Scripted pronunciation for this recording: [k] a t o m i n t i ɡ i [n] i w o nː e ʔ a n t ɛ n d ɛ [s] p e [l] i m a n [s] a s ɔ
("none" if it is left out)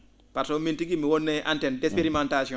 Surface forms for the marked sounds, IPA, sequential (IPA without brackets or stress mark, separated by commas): p, m, s, ɾ, t